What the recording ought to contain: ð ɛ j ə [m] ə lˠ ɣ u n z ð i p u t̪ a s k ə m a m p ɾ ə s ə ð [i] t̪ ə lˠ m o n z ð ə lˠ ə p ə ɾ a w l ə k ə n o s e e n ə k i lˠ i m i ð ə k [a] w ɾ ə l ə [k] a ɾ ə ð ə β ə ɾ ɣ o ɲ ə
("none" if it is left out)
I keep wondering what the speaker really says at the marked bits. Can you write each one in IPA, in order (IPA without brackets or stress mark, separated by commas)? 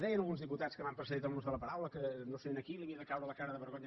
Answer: n, i, a, k